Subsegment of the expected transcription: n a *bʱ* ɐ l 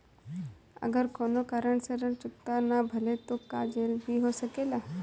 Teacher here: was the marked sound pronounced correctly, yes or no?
yes